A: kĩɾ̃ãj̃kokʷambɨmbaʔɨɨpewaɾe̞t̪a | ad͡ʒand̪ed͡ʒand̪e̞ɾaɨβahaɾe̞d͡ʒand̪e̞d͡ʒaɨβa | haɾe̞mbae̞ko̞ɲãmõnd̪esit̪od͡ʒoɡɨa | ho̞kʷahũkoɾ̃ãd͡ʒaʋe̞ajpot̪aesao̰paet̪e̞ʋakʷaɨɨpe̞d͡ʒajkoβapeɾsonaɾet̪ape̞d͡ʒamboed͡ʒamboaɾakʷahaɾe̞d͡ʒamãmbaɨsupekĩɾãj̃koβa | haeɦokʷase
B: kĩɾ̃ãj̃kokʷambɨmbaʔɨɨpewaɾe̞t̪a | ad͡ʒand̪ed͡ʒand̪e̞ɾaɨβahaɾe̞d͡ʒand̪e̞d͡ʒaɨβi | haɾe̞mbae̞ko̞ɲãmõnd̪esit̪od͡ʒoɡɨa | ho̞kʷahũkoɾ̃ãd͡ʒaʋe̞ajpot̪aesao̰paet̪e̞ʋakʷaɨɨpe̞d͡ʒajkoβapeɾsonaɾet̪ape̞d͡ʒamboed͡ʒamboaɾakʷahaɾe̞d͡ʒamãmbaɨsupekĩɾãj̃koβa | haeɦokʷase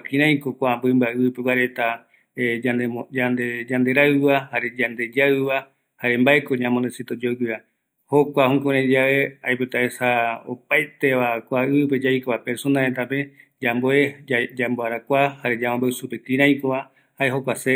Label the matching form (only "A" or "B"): A